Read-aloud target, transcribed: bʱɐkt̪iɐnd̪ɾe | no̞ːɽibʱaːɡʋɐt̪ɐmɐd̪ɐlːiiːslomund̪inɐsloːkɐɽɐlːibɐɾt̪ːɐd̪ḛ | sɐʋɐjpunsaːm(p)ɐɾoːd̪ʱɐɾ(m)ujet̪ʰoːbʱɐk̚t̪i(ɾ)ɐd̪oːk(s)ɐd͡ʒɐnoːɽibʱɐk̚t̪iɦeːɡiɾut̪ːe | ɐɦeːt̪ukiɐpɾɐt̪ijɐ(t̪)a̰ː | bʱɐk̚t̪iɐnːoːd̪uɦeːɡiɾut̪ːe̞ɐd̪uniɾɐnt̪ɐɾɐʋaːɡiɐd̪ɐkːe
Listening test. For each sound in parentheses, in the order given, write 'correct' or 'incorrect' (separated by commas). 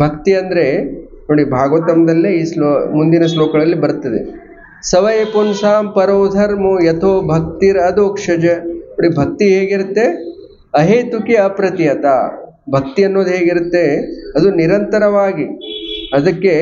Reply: correct, correct, correct, incorrect, correct